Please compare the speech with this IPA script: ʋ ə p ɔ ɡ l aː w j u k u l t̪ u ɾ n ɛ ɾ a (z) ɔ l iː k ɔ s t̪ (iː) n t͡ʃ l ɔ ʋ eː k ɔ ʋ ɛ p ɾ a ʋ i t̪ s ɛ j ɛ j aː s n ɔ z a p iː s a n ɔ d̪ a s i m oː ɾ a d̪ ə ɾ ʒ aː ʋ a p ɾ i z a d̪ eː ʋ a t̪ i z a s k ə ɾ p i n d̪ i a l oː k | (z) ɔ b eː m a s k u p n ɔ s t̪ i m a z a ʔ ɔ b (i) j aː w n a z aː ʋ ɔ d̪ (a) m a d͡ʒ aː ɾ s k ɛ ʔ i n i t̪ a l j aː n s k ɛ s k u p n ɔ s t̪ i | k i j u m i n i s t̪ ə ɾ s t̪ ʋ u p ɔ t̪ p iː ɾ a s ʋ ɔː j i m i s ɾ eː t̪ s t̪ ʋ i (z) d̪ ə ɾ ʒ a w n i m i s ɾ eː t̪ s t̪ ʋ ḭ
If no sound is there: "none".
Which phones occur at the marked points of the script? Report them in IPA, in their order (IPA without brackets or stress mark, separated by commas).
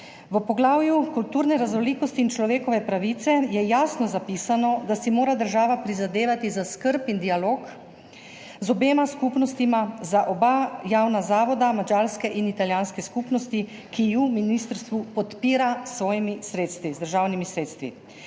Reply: z, iː, z, a, a, z